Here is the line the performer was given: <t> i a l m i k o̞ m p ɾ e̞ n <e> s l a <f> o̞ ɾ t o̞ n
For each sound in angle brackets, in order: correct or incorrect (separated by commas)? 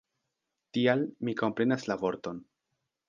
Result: correct, incorrect, incorrect